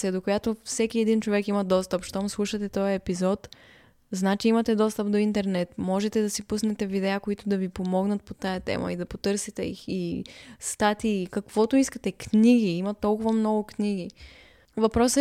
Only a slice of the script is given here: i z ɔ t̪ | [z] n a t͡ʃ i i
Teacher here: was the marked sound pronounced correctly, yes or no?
yes